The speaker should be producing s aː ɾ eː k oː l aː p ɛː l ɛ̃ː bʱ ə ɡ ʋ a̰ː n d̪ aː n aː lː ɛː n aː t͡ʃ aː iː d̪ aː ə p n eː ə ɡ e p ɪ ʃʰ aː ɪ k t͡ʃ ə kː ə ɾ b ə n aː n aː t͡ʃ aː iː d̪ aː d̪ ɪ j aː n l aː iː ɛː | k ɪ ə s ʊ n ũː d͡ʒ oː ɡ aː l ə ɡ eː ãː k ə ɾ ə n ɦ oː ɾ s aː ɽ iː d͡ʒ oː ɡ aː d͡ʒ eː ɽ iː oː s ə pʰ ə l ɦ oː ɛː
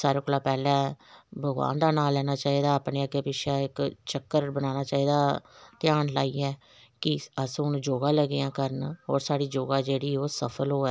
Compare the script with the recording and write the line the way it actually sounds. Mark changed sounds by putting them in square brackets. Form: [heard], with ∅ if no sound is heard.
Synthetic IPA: s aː ɾ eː k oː l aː p ɛː l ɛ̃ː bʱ ə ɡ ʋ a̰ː n d̪ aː n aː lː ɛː n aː t͡ʃ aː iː d̪ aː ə p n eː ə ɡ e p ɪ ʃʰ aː ɪ k t͡ʃ ə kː ə ɾ b ə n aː n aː t͡ʃ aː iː d̪ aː [t̪] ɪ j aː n l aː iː ɛː | k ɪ ə s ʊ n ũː d͡ʒ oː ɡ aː l ə ɡ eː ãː k ə ɾ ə n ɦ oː ɾ s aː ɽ iː d͡ʒ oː ɡ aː d͡ʒ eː ɽ iː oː s ə pʰ ə l ɦ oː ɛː